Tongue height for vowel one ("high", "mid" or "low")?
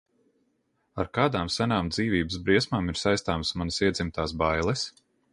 low